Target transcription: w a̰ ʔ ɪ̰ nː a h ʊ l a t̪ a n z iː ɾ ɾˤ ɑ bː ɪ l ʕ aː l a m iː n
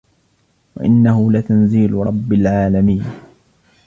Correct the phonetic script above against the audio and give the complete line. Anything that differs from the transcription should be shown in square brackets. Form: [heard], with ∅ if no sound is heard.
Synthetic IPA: w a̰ ʔ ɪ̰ nː a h ʊ l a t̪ a n z iː [l] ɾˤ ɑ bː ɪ l ʕ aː l a m iː n